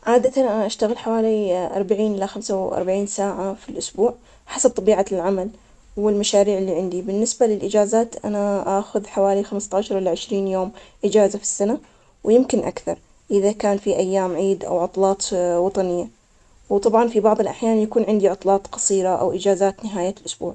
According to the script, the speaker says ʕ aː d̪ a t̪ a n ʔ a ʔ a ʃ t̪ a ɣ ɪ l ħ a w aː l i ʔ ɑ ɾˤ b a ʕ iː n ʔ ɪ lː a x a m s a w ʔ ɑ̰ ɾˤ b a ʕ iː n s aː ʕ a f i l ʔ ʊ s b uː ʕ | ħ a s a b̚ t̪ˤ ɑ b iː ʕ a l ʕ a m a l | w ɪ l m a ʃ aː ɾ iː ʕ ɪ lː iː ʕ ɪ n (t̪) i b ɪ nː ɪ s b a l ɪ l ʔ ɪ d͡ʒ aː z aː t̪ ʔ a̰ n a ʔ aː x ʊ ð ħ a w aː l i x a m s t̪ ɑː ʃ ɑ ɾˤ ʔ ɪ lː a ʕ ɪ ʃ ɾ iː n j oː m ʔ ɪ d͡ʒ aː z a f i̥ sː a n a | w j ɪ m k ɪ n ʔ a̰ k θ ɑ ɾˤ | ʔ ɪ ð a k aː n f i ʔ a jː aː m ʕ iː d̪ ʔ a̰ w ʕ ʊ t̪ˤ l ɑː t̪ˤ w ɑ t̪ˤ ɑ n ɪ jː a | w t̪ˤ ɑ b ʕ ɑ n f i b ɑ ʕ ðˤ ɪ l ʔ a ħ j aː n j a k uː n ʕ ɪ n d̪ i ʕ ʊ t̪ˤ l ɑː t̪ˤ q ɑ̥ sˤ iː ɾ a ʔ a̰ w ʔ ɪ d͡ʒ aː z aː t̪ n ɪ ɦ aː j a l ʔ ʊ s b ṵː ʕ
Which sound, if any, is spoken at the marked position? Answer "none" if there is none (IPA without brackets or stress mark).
d̪